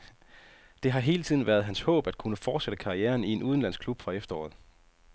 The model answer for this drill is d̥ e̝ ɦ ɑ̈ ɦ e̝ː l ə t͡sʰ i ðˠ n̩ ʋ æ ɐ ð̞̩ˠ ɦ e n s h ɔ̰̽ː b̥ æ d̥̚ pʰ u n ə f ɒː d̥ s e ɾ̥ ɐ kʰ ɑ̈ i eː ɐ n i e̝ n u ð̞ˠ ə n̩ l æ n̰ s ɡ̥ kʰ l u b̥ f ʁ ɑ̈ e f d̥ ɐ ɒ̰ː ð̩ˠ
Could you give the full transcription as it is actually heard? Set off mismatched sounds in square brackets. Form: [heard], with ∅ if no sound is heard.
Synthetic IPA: d̥ e̝ ɦ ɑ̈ ɦ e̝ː l ə t͡sʰ i ðˠ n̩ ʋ æ ɐ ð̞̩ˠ ɦ [æ] n s h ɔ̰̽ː b̥ æ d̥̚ [kʰ] u n ə f ɒː d̥ s e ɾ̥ [ə] kʰ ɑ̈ i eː ɐ n i e̝ n u ð̞ˠ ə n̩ l æ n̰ s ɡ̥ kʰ l u b̥ f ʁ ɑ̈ e f d̥ ɐ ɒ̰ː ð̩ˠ